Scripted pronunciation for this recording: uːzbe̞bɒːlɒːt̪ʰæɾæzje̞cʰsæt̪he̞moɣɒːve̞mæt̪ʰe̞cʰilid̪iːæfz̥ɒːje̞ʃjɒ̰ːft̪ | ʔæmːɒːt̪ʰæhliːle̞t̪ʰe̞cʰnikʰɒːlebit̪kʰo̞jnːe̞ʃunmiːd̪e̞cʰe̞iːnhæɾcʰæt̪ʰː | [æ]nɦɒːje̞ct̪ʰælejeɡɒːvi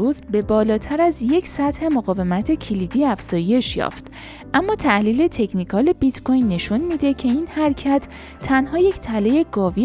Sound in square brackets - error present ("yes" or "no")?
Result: no